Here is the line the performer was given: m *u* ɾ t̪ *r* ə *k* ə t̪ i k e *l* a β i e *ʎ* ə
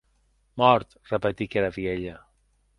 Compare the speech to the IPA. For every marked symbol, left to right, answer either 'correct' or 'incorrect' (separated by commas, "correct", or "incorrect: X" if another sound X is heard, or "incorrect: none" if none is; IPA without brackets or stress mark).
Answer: incorrect: ɔ, correct, incorrect: p, incorrect: ɾ, correct